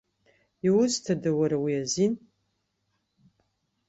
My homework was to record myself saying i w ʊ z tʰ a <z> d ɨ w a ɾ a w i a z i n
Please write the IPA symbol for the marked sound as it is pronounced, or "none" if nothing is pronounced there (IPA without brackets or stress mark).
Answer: none